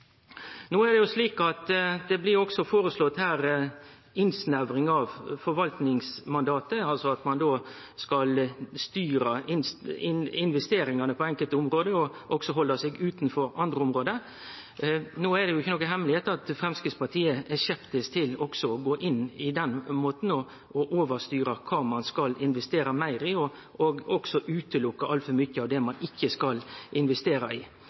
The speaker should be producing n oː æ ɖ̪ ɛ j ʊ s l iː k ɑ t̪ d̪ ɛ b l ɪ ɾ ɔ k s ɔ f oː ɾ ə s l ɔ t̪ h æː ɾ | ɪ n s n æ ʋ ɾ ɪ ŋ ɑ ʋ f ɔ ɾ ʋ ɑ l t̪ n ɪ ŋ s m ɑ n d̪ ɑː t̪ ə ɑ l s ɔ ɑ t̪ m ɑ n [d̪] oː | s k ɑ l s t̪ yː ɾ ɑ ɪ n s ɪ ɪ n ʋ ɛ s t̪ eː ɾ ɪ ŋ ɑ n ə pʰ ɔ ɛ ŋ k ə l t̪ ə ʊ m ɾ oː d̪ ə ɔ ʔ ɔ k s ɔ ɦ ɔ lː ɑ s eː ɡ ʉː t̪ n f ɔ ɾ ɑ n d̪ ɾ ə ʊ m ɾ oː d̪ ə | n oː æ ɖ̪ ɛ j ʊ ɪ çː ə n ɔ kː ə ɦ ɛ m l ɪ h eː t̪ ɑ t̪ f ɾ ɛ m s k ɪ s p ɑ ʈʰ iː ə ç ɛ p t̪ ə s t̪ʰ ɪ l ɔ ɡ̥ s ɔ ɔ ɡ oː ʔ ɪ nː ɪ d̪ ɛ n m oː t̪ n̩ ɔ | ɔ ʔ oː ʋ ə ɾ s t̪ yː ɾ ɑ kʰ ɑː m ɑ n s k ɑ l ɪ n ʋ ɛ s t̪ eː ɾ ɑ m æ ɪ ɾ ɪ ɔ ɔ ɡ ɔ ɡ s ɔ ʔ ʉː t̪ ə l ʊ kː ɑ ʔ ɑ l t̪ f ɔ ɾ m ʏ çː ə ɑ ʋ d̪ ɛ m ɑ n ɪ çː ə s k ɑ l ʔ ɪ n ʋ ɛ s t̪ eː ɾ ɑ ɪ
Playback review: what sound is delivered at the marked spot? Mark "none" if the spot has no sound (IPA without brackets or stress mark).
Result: d̪